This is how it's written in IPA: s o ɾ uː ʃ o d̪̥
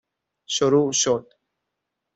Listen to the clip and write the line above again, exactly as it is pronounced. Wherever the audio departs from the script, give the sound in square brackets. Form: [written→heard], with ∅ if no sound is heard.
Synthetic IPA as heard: [s→ʃ] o ɾ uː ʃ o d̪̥